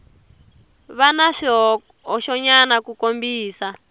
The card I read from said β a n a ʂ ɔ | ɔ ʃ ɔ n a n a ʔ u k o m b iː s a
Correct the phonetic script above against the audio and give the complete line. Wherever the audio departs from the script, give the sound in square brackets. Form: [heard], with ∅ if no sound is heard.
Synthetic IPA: β a n a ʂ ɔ | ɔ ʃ ɔ [ɲ] a n a [k] u k o m b iː s a